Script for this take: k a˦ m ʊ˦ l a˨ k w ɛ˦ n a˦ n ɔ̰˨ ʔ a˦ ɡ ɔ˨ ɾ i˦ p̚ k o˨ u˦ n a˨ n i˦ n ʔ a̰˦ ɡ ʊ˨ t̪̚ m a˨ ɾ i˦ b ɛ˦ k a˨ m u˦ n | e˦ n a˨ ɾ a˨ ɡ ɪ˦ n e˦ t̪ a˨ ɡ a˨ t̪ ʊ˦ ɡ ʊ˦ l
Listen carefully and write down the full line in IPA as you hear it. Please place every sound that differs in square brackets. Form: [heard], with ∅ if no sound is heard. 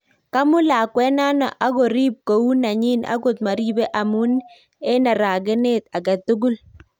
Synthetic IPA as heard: k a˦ m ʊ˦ l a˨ k w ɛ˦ n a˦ n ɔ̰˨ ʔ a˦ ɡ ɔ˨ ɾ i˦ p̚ k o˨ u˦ n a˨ [ɲ] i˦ n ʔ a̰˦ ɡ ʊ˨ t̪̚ m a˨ ɾ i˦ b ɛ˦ [ʔ] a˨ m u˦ n | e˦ n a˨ ɾ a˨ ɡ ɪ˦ n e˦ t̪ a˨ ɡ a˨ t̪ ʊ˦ ɡ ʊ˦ l

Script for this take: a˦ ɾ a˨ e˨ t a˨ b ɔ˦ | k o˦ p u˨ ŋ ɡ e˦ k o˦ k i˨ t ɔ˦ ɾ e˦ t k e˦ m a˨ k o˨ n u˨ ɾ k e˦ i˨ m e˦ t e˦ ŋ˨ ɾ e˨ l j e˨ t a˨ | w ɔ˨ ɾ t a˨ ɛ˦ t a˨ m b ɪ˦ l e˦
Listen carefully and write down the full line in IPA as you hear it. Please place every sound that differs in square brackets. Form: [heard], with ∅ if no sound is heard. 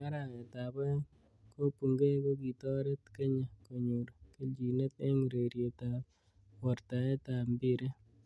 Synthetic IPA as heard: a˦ ɾ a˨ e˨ t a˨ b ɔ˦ | k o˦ p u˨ ŋ ɡ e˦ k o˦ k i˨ t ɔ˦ ɾ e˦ t k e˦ [ɲ] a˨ k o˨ [ɲ] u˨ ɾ k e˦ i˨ [n] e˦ t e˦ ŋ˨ ɾ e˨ [ɾ] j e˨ t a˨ | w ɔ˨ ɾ t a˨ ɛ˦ t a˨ m b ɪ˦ [ɾ] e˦

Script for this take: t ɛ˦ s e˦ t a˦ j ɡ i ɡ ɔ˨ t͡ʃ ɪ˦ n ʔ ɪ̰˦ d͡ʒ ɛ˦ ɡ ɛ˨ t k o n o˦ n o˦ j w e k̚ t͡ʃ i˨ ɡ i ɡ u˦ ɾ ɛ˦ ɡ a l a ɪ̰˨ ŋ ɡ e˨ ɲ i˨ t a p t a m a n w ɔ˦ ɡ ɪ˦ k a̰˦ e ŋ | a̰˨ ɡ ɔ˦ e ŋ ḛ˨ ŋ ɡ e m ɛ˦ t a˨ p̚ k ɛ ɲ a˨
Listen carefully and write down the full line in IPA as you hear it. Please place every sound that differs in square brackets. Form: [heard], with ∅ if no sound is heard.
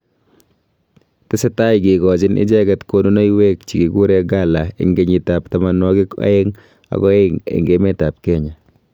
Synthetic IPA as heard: t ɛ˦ s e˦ t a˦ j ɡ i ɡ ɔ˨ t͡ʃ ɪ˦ n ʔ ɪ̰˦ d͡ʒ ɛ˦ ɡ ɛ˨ t k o n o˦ n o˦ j w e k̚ t͡ʃ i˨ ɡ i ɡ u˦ ɾ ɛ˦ ɡ a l a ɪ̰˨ ŋ ɡ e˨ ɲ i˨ t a p t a m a n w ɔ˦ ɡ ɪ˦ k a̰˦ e ŋ | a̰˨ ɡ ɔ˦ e ŋ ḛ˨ ŋ ɡ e m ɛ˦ t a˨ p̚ k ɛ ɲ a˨

